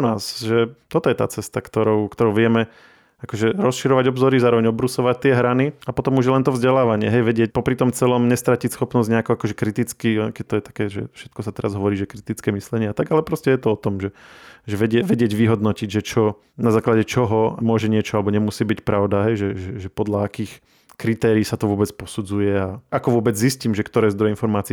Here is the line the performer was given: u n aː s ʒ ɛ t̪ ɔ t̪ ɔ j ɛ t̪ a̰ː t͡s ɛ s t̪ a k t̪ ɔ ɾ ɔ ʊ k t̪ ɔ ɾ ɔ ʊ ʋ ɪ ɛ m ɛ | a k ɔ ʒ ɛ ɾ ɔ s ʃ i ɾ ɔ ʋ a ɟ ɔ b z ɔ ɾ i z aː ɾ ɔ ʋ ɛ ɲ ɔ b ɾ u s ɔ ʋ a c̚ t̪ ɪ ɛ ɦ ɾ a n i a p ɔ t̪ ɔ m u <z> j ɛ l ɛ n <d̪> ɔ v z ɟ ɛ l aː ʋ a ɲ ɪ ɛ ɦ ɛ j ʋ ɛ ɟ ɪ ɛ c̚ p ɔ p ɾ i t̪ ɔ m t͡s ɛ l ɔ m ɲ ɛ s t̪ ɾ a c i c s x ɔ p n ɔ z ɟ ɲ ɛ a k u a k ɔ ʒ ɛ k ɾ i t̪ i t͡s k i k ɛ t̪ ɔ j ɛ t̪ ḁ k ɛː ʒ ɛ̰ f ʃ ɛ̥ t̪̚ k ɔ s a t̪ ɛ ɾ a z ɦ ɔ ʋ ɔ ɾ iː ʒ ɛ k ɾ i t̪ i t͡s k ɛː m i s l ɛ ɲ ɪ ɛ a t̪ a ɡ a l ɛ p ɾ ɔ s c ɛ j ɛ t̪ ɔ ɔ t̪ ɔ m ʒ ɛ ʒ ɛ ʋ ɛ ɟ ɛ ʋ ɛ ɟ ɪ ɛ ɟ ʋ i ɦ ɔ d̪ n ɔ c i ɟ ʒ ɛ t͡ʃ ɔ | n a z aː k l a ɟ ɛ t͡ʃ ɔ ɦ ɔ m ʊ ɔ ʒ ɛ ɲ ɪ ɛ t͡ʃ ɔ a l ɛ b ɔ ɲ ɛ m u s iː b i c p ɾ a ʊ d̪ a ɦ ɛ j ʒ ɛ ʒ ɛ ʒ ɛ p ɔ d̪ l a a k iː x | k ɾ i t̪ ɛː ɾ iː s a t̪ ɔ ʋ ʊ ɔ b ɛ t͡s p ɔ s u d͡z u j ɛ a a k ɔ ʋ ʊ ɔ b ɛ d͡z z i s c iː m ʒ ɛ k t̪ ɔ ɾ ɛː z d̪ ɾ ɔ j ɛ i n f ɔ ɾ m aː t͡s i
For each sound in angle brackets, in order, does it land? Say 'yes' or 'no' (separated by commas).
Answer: no, no